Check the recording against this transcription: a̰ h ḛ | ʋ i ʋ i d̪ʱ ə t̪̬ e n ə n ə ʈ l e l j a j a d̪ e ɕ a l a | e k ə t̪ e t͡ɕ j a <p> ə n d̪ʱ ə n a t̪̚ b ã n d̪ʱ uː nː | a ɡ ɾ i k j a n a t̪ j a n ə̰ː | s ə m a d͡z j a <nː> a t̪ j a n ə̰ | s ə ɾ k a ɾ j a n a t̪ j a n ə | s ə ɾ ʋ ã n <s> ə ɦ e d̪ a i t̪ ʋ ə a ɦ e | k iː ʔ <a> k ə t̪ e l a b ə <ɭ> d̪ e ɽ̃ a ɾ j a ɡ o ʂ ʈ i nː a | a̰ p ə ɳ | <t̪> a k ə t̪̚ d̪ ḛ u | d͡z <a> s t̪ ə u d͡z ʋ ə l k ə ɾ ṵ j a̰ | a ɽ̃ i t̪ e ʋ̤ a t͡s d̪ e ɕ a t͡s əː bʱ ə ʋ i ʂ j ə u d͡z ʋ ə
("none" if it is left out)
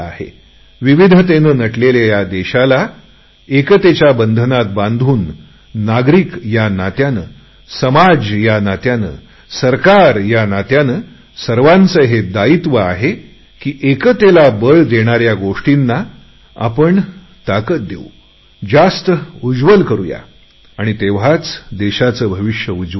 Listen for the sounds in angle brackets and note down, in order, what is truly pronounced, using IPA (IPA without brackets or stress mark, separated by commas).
b, n, t͡s, e, ɭ, t̪, a